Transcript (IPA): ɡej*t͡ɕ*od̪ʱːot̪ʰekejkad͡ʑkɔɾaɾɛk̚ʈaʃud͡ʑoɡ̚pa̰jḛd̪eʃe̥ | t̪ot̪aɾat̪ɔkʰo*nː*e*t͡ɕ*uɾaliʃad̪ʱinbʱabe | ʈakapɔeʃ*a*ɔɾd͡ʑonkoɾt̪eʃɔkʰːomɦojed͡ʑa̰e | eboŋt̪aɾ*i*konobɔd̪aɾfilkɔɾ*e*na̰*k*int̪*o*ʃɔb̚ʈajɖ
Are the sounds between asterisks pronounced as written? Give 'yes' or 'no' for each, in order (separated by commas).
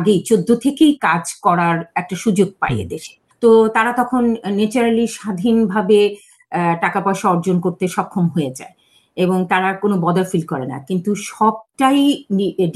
yes, yes, yes, yes, no, yes, yes, no